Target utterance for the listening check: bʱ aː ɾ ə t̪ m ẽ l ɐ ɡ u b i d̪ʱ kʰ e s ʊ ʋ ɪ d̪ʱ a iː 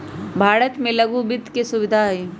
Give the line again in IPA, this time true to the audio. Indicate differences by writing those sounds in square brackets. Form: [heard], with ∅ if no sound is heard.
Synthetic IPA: bʱ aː ɾ ə t̪ m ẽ l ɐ ɡ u b [ɪ] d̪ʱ [k] e s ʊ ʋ ɪ d̪ʱ a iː